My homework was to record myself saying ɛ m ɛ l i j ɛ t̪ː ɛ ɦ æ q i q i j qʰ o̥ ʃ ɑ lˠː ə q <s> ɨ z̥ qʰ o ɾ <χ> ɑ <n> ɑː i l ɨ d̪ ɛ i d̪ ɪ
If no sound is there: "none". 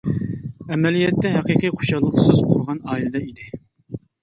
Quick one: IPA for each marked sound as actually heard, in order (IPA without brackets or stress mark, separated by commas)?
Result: s, ʁ, n